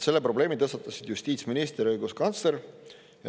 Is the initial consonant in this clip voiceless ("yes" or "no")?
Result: yes